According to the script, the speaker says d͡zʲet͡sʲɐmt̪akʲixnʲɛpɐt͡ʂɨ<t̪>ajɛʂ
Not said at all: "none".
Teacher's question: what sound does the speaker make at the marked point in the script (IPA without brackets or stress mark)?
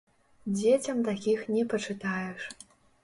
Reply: t̪